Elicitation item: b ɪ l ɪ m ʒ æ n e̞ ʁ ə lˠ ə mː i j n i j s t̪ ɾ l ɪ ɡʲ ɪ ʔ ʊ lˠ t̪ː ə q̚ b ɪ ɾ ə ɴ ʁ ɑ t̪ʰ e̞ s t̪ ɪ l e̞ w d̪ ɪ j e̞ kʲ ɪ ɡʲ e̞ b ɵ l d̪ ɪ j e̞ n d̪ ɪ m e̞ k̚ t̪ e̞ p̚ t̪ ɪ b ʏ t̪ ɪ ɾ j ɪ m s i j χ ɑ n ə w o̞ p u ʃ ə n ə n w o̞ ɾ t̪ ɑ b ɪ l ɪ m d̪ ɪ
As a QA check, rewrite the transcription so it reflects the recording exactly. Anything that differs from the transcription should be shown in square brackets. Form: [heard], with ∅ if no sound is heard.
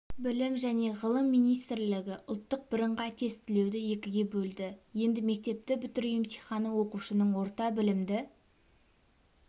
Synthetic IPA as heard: b ɪ l ɪ m ʒ æ n e̞ ʁ ə lˠ ə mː i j n i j s t̪ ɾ l ɪ ɡʲ ɪ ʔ ʊ lˠ t̪ː ə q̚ b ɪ ɾ ə ɴ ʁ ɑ t̪ʰ e̞ s t̪ ɪ l e̞ w d̪ ɪ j e̞ kʲ ɪ ɡʲ e̞ b ɵ l d̪ ɪ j e̞ n d̪ ɪ m e̞ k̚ t̪ e̞ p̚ t̪ ɪ b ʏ t̪ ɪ ɾ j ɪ m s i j χ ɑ n ə w o̞ [q] u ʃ ə n ə [ɴ] w o̞ ɾ t̪ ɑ b ɪ l ɪ m d̪ ɪ